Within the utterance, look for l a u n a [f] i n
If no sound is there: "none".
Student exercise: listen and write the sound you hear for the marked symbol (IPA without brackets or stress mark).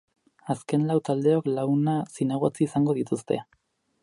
s